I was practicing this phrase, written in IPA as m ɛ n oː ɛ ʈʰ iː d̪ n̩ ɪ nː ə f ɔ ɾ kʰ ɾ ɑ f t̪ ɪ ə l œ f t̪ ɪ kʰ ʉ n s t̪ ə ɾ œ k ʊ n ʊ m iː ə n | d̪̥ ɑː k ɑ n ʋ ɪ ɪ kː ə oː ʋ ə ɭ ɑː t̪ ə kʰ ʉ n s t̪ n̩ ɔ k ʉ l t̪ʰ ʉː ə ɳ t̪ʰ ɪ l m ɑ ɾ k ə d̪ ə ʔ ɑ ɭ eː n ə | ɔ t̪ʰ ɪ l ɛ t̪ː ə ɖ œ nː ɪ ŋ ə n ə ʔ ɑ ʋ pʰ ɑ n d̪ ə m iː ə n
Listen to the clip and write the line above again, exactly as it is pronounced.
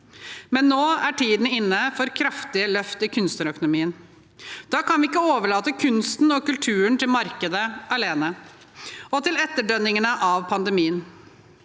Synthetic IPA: m ɛ nː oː æ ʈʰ iː d̪ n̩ ɪ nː ə f ɔ ɾ kʰ ɾ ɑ f t̪ ɪ ə l œ f t̪ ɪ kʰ ʉ n s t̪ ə ɾ œ k ʊ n ʊ m iː ə n | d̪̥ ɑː k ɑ n ʋ ɪ ɪ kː ə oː ʋ ə ɭ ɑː t̪ ə kʰ ʉ n s t̪ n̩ ɔ k ʉ l t̪ʰ ʉː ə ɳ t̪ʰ ɪ l m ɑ ɾ k ə d̪ ə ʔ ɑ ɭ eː n ə | ɔ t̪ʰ ɪ l ɛ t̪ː ə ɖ œ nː ɪ ŋ ə n ə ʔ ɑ ʋ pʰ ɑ n d̪ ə m iː ə n